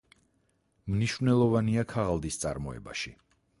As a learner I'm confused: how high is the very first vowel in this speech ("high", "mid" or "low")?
high